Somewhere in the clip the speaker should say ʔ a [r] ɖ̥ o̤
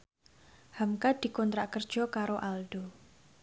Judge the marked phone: incorrect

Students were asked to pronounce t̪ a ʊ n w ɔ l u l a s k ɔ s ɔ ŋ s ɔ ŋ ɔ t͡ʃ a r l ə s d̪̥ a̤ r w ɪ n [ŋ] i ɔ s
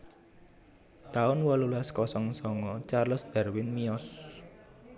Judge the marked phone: incorrect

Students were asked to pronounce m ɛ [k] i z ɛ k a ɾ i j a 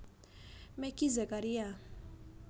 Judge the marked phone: correct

